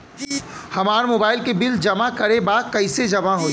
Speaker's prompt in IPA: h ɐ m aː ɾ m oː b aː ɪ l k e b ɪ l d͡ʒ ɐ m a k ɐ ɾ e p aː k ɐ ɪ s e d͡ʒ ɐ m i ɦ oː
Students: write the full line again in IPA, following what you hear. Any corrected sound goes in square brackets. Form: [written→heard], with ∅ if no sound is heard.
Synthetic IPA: h ɐ m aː ɾ m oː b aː ɪ l k e b ɪ l d͡ʒ ɐ m a k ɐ ɾ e [p→b] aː k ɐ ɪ s e d͡ʒ ɐ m [i→a] ɦ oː

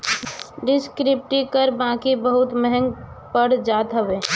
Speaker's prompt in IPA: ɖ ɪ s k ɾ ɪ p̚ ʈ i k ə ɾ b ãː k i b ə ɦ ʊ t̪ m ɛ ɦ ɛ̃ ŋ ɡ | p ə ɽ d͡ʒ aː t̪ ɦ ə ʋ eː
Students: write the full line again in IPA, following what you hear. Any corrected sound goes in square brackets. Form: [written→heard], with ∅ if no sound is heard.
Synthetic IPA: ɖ ɪ s k ɾ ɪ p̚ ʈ i k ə ɾ b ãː k i b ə ɦ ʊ t̪ m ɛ ɦ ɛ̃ ŋ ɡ | p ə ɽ d͡ʒ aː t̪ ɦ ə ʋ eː

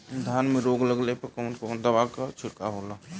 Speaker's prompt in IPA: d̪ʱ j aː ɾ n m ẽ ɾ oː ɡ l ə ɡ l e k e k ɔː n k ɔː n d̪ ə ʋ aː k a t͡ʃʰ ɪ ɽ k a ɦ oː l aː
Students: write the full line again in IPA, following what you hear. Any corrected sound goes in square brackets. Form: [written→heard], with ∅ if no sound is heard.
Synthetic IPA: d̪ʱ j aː [ɾ→∅] n m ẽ ɾ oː ɡ l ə ɡ l e [k→p] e k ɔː n k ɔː n d̪ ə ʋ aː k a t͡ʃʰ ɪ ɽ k a ɦ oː l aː

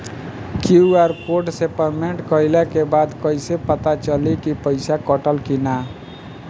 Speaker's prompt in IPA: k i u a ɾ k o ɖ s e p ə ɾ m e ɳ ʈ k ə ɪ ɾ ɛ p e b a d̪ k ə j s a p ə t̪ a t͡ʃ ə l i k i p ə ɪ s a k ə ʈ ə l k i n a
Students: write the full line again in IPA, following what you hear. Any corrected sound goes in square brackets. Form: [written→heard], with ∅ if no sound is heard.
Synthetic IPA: k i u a ɾ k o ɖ s e p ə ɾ m e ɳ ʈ k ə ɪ [ɾ→l] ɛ [p→k] e b a d̪ k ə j s [a→e] p ə t̪ a t͡ʃ ə l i k i p ə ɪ s a k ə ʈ ə l k i n a

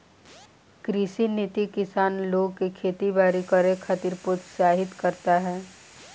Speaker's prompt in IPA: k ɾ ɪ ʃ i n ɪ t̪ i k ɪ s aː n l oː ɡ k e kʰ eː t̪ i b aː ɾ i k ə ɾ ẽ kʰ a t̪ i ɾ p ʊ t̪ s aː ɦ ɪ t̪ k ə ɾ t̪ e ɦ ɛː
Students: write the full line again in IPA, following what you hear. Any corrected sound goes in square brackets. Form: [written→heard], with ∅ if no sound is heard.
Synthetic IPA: k ɾ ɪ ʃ i n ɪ t̪ i k ɪ s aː n l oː ɡ k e kʰ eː t̪ i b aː ɾ i k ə ɾ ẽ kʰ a t̪ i ɾ p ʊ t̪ s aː ɦ ɪ t̪ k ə ɾ t̪ [e→a] ɦ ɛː

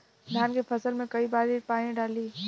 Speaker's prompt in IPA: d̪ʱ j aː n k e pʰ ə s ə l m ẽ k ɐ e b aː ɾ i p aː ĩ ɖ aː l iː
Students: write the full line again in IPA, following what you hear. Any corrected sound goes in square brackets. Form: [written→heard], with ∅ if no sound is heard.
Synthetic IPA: d̪ʱ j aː n k e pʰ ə s ə l m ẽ k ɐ [e→i] b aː ɾ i p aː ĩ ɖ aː l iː

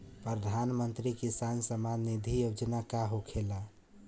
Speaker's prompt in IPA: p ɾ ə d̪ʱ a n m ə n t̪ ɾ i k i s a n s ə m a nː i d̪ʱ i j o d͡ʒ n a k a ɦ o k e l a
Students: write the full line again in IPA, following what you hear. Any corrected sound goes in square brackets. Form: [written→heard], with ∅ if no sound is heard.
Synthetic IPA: p ɾ ə d̪ʱ a n m ə n t̪ ɾ i k i s a n s ə m a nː i d̪ʱ i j o d͡ʒ n a k a ɦ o [k→kʰ] e l a

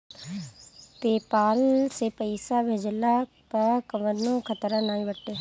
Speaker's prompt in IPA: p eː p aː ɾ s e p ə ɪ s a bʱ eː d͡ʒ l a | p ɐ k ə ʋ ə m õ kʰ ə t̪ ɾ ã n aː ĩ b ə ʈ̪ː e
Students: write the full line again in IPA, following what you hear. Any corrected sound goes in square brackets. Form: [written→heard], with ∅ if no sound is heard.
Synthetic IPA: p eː p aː [ɾ→l] s e p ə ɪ s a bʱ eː d͡ʒ l a | p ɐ k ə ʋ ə [m→n] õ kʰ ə t̪ ɾ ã n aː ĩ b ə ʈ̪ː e

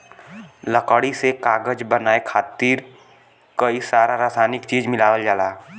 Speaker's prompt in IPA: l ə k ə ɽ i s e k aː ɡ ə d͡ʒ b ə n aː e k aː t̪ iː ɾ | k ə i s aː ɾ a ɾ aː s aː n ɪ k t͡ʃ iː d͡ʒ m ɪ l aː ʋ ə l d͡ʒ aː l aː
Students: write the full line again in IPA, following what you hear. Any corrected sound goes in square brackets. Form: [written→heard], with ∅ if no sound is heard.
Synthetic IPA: l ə k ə ɽ i s e k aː ɡ ə d͡ʒ b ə n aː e [k→kʰ] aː t̪ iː ɾ | k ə i s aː ɾ a ɾ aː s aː n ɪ k t͡ʃ iː d͡ʒ m ɪ l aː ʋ ə l d͡ʒ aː l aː

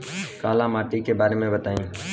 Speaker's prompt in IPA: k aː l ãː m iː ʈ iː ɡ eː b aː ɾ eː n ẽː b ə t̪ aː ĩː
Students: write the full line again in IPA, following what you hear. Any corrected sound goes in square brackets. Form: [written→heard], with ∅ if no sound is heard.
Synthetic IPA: k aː l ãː m [iː→aː] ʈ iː [ɡ→k] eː b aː ɾ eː [n→m] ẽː b ə t̪ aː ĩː

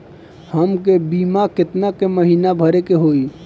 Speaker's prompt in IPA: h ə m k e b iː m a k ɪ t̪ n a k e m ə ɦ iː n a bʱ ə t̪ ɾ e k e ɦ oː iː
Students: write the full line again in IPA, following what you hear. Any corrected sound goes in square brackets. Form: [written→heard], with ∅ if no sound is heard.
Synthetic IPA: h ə m k e b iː m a k ɪ t̪ n a k e m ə ɦ iː n a bʱ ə [t̪→∅] ɾ e k e ɦ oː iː

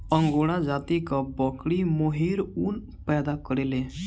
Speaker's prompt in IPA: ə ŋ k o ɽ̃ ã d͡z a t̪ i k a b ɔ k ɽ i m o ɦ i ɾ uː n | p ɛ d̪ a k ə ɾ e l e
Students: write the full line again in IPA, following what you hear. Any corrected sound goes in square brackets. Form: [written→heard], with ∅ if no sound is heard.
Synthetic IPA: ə ŋ [k→ɡ] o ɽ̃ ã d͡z a t̪ i k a b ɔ k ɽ i m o ɦ i ɾ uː n | p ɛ d̪ a k ə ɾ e l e

